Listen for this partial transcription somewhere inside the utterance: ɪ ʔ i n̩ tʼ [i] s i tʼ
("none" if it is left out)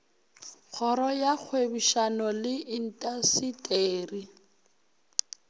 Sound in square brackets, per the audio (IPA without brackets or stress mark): a